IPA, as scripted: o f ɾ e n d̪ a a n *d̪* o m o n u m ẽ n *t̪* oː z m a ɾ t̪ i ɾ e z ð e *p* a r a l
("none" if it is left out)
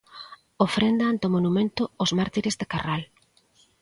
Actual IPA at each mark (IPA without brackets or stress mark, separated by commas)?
t̪, t̪, k